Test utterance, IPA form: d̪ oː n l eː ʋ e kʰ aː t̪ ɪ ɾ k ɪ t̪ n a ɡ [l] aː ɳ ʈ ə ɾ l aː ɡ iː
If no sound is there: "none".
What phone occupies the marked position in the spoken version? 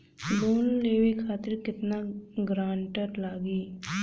ɾ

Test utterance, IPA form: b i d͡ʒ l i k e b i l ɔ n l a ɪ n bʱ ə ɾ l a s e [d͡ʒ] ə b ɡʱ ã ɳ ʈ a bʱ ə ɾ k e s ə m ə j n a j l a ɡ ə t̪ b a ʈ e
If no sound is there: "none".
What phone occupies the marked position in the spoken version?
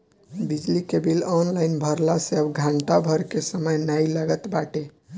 none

